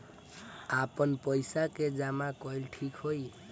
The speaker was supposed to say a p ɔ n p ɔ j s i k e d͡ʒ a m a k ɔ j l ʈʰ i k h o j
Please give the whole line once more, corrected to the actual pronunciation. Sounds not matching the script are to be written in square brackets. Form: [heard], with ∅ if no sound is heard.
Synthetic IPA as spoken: a p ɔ n p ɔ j s [a] k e d͡ʒ a m a k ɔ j l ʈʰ i k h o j